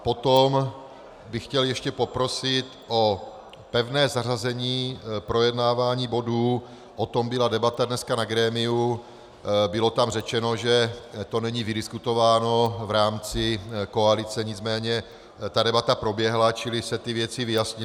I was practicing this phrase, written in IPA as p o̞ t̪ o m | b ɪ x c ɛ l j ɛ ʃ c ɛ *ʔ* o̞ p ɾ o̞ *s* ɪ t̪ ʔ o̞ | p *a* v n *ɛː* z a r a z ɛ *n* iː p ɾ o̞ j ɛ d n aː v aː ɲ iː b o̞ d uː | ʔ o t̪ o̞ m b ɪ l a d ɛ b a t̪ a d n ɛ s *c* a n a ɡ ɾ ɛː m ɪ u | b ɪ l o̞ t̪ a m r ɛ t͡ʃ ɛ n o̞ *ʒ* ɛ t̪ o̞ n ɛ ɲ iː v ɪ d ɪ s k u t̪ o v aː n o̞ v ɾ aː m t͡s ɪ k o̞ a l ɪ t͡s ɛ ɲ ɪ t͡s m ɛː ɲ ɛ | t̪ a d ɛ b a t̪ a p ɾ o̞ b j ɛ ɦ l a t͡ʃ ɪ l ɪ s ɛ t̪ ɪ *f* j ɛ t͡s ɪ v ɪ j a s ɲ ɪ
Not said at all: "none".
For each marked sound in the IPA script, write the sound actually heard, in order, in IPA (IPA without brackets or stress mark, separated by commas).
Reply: p, s, ɛ, ɛː, ɲ, k, ʒ, v